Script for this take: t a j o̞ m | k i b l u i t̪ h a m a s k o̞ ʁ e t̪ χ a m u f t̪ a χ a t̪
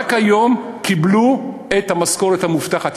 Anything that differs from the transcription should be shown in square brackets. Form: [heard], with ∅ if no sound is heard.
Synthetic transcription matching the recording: [k] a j o̞ m | k i b l u [e] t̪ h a m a s k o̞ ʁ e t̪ [h] a m u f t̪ a χ a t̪